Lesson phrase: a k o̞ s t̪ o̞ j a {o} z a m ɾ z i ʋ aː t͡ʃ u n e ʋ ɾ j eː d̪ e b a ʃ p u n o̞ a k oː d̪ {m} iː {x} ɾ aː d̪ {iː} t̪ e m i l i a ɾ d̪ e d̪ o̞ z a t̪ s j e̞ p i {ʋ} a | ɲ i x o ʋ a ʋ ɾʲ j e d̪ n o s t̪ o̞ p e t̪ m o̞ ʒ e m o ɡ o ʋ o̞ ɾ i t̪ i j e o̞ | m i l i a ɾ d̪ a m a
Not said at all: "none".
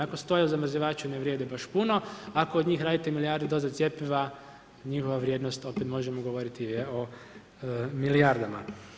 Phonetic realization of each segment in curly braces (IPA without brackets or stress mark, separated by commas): u, ɲ, x, i, ʋ